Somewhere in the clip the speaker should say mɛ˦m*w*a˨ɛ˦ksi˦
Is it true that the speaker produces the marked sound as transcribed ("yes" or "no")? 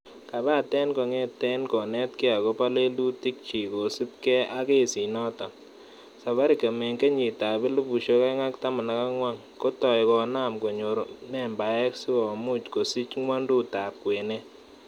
no